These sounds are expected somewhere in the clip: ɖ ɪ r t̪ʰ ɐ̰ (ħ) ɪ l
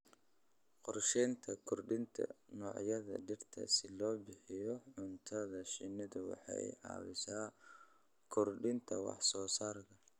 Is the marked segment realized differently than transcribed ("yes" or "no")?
yes